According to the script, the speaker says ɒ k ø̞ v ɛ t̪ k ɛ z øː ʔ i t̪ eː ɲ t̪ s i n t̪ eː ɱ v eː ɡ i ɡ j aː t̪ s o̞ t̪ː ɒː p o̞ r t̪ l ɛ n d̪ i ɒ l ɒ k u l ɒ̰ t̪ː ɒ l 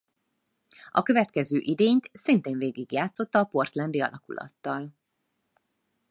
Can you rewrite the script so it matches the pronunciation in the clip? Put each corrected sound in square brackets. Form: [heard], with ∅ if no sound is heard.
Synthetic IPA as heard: ɒ k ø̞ v ɛ t̪ k ɛ z øː ʔ i [d̪] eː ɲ t̪ s i n t̪ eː ɱ v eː ɡ i ɡ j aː t̪ s o̞ t̪ː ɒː p o̞ r t̪ l ɛ n d̪ i ɒ l ɒ k u l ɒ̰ t̪ː ɒ l